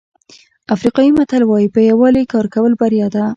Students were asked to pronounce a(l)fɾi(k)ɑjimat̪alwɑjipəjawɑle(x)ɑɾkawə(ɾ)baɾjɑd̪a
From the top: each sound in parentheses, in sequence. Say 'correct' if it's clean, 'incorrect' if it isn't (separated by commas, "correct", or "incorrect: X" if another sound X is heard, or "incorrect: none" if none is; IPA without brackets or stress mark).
incorrect: none, incorrect: q, incorrect: k, incorrect: l